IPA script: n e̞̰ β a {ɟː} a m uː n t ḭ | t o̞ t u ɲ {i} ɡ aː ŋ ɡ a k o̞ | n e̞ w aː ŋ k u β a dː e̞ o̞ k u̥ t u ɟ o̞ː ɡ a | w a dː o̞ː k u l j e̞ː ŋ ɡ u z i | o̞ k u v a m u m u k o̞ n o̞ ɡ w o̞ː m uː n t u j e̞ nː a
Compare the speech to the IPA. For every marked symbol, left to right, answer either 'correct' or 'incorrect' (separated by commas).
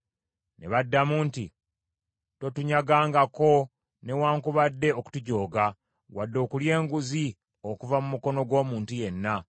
incorrect, incorrect